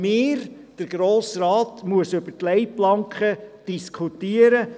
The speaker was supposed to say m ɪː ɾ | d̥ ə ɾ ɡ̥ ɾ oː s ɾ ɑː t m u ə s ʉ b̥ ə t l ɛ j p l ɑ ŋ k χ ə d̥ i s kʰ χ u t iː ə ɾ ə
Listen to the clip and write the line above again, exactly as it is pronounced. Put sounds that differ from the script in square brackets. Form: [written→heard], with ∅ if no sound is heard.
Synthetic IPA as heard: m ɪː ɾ | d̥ ə ɾ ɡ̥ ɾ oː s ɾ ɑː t m u ə s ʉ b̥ ə t l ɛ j p l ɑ ŋ k χ ə d̥ i s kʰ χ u t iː ə ɾ ə